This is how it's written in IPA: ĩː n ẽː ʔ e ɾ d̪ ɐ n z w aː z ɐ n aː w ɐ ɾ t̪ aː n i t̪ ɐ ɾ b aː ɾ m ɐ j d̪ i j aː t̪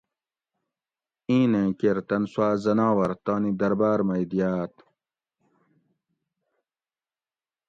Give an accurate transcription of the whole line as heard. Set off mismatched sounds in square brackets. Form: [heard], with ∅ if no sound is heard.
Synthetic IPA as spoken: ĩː n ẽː [k] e ɾ [t̪] ɐ n [s] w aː z ɐ n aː w ɐ ɾ t̪ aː n i [d̪] ɐ ɾ b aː ɾ m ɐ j d̪ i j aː t̪

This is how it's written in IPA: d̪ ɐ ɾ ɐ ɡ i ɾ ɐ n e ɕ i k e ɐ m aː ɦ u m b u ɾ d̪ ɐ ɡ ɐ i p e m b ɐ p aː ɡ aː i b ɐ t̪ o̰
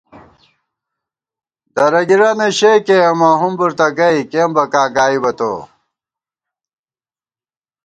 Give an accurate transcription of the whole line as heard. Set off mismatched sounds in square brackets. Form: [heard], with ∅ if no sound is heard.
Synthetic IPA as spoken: d̪ ɐ ɾ ɐ ɡ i ɾ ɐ n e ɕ [e] k e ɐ m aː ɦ u m b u ɾ [t̪] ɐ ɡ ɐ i [k] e m b ɐ [k] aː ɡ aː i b ɐ t̪ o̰

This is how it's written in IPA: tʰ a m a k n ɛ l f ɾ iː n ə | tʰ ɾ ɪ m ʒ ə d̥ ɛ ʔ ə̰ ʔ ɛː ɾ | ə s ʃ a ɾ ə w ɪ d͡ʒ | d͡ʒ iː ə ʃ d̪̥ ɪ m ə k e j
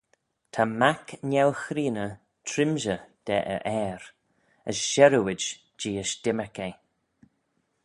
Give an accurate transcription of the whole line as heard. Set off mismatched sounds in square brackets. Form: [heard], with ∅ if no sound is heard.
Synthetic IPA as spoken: tʰ a m a k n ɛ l [x] ɾ iː n ə | tʰ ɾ ɪ m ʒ ə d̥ ɛ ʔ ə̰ ʔ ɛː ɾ | ə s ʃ [ɛ] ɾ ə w ɪ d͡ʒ | d͡ʒ iː ə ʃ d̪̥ ɪ m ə k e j

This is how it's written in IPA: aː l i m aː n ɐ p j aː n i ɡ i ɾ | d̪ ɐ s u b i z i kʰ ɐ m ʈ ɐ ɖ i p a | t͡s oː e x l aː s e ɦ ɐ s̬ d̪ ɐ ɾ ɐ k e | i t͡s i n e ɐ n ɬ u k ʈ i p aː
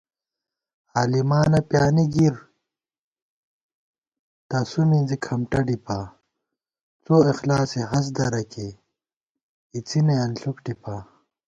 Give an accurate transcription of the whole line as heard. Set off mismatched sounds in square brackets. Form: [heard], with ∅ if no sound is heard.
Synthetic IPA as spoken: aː l i m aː n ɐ p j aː n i ɡ i ɾ | [t̪] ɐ s u [m] i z i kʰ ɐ m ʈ ɐ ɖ i p a | t͡s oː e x l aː s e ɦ ɐ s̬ d̪ ɐ ɾ ɐ k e | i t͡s i n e ɐ n ɬ u k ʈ i p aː

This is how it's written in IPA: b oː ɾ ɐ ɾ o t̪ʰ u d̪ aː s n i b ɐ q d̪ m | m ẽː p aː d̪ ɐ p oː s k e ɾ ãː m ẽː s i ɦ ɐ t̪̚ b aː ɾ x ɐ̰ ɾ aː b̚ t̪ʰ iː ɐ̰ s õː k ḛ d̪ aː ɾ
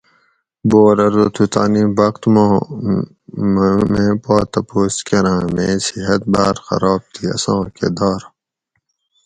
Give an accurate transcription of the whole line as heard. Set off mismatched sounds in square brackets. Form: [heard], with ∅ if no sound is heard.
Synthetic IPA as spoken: b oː ɾ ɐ ɾ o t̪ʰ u [t̪] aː [∅] n i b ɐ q [t̪] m | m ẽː p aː [t̪] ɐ p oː s k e ɾ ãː m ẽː s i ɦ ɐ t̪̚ b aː ɾ x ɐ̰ ɾ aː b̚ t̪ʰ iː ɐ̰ s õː k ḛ d̪ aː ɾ

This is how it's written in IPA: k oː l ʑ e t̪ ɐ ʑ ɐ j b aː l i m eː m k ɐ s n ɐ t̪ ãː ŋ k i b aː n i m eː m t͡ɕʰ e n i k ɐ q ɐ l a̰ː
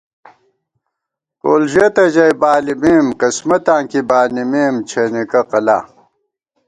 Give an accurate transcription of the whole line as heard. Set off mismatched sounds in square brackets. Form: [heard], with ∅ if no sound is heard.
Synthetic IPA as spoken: k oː l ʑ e t̪ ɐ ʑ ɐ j b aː l i m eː m k ɐ s [m] ɐ t̪ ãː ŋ k i b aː n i m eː m t͡ɕʰ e n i k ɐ q ɐ l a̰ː

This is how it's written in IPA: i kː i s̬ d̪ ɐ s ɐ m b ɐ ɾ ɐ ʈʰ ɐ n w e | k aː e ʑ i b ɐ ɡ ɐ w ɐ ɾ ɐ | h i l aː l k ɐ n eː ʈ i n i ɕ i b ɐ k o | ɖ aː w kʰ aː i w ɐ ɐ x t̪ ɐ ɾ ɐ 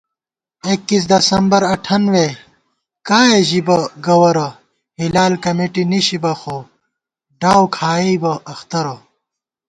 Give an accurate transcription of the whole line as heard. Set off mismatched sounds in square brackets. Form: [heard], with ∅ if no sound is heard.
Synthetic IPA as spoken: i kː i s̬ d̪ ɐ s ɐ m b ɐ ɾ ɐ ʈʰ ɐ n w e | k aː e ʑ i b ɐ ɡ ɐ w ɐ ɾ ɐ | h i l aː l k ɐ [m] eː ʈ i n i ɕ i b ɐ [x] o | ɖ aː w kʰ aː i [b] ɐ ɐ x t̪ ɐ ɾ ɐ

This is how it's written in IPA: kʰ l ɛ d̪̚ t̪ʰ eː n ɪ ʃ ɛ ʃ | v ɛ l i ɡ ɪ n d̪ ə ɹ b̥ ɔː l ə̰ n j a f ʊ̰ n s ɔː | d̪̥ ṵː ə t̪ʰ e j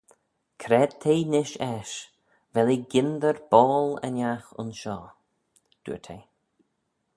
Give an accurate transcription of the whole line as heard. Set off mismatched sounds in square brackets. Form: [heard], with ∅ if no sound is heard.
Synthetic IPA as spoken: kʰ [ɾ] ɛ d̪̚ t̪ʰ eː n ɪ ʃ ɛ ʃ | v ɛ l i ɡ ɪ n d̪ ə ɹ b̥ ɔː l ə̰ n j a [x] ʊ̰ n [ʃ] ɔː | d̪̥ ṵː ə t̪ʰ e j

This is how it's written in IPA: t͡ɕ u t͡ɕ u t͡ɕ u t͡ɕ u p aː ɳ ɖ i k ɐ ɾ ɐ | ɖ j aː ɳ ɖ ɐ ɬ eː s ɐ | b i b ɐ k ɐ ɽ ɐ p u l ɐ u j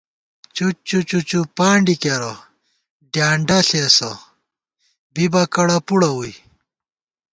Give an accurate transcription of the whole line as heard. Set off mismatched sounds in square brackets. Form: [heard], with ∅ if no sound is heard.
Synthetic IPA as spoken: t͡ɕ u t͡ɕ u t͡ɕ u t͡ɕ u p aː ɳ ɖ i k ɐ ɾ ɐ | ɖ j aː ɳ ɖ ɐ ɬ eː s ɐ | b i b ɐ k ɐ ɽ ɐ p u [ɽ] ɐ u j

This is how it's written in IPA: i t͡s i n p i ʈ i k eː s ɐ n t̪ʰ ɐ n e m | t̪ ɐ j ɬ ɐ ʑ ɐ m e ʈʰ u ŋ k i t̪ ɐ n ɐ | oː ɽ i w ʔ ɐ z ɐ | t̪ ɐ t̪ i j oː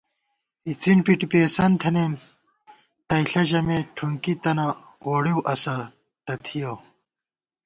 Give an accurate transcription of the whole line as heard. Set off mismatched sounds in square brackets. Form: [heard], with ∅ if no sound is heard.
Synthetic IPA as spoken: i t͡s i n p i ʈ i [p] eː s ɐ n t̪ʰ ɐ n e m | t̪ ɐ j ɬ ɐ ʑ ɐ m e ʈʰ u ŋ k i t̪ ɐ n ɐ | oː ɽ i w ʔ ɐ [s] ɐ | t̪ ɐ [t̪ʰ] i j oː

